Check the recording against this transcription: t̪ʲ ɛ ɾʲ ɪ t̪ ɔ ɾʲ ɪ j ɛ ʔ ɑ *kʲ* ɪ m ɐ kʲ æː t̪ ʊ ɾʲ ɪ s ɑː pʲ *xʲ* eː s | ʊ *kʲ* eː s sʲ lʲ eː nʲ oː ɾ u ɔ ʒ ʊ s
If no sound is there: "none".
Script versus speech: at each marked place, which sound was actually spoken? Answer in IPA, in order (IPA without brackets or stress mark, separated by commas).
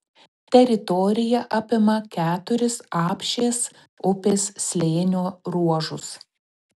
pʲ, ʃʲ, pʲ